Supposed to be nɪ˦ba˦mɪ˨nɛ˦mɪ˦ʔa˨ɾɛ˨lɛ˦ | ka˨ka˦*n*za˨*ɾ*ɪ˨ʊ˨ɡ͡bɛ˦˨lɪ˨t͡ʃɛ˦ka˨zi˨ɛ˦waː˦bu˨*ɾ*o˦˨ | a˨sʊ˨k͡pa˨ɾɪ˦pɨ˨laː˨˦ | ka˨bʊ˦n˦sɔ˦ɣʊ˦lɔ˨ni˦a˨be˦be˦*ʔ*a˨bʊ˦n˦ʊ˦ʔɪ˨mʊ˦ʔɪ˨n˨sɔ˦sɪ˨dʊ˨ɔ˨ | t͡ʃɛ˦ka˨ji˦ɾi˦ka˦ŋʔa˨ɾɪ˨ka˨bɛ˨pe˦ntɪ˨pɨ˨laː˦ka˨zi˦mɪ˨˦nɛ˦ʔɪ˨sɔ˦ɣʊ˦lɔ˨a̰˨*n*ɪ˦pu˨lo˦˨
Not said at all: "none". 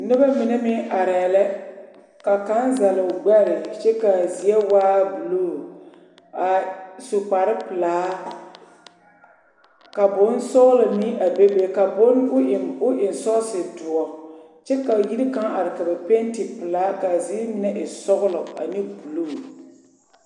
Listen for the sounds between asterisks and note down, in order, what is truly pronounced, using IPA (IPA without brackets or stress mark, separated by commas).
n, l, l, k, n